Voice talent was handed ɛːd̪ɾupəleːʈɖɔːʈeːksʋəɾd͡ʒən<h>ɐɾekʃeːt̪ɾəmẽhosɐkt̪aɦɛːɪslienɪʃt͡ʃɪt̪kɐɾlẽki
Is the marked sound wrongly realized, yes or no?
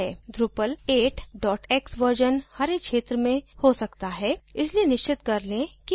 no